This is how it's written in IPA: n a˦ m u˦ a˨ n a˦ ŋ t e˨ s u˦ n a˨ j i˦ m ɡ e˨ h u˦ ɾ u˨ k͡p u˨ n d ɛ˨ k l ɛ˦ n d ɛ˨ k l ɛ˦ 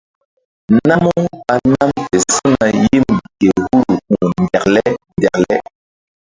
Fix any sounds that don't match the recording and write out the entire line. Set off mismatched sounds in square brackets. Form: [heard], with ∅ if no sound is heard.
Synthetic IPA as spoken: n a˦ m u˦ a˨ n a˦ [m] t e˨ s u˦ n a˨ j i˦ m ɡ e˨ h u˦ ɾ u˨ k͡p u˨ n d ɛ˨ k l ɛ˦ n d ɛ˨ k l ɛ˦

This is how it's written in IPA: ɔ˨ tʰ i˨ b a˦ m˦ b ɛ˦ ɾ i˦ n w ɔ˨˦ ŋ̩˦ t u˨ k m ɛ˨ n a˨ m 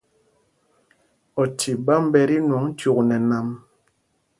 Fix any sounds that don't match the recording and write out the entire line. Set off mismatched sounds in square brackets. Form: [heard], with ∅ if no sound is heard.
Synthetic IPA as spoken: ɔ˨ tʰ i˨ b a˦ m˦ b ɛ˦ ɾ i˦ n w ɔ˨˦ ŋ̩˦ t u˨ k [n] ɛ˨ n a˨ m

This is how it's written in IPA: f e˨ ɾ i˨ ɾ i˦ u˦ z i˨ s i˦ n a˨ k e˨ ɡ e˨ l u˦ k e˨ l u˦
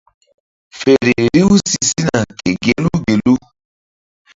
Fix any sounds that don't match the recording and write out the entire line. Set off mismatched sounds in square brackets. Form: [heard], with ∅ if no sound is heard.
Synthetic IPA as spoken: f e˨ ɾ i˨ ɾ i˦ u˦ [s] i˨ s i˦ n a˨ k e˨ ɡ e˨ l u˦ [ɡ] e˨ l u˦

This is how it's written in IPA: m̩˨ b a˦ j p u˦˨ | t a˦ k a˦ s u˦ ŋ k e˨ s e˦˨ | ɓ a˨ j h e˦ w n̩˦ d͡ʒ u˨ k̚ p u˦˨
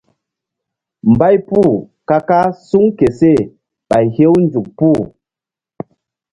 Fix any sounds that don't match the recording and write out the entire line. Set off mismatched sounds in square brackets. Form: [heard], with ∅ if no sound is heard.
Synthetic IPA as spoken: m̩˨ b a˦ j p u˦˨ | [k] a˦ k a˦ s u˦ ŋ k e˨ s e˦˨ | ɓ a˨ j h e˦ w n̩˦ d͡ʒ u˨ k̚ p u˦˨

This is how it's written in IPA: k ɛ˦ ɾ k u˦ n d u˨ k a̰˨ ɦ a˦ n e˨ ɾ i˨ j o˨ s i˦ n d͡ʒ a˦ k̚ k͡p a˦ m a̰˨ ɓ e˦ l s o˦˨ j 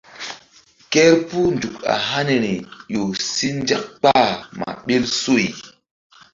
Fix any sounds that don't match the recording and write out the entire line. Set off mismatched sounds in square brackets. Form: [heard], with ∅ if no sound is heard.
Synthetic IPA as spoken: k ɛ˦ ɾ [p] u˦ n d u˨ k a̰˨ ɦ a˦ n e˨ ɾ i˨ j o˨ s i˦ n d͡ʒ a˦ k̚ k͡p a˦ m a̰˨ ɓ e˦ l s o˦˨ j

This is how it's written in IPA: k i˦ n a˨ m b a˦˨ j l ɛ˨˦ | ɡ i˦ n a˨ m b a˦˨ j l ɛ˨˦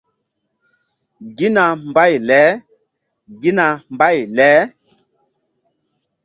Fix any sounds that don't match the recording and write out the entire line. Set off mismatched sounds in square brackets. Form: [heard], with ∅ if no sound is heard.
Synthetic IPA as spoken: [ɡ] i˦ n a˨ m b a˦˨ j l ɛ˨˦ | ɡ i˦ n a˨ m b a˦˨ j l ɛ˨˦

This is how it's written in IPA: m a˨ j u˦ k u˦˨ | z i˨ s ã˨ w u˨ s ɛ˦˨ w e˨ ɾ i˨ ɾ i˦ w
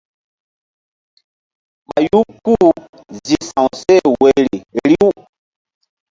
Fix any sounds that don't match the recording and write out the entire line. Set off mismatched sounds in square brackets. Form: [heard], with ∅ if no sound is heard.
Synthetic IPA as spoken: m a˨ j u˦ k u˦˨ | z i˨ s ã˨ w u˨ s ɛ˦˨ w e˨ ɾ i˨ ɾ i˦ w

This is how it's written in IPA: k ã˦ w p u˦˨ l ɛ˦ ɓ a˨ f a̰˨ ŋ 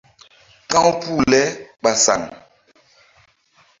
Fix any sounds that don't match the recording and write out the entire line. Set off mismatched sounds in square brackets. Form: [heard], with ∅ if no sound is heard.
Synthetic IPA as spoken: k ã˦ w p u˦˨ l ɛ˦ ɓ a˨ [s] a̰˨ ŋ

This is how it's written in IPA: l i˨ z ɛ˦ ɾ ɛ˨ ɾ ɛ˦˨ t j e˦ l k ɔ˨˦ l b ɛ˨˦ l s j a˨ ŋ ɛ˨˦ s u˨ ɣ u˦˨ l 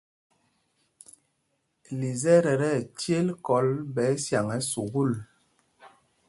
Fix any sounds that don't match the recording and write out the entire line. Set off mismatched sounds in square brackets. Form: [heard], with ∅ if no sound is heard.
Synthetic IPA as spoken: l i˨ z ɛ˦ ɾ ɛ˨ ɾ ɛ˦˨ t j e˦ l k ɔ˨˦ l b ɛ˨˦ [∅] s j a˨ ŋ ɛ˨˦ s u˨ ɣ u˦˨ l

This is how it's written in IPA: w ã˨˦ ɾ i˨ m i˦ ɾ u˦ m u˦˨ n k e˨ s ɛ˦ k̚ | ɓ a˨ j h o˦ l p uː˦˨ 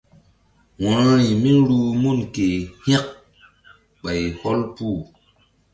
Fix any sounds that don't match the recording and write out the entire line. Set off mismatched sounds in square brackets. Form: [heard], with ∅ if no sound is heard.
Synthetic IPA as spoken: w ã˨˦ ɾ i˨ m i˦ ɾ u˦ m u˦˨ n k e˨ [h] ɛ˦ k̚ | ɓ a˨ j h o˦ l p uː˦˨

